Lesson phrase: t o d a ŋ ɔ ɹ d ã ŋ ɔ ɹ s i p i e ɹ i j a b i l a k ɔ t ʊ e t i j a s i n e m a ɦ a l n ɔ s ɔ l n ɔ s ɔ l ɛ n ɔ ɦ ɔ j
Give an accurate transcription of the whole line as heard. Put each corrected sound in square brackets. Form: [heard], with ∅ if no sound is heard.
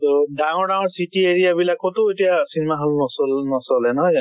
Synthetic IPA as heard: t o d a ŋ ɔ ɹ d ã ŋ ɔ ɹ s i [t] i e ɹ i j a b i l a k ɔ t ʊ e t i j a s i n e m a ɦ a l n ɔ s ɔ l n ɔ s ɔ l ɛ n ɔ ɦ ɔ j

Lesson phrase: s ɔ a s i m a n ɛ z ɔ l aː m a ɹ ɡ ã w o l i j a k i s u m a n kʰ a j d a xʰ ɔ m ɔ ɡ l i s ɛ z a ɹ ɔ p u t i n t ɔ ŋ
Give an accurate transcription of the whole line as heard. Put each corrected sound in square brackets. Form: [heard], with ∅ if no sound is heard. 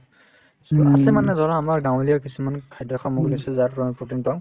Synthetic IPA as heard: s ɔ a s [ɛ] m a n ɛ z ɔ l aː m a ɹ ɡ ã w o l i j a k i s u m a n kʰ a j d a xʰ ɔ m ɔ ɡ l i s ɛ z a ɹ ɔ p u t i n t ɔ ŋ

